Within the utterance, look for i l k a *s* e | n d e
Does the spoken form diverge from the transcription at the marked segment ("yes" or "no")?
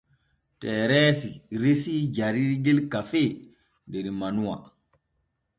yes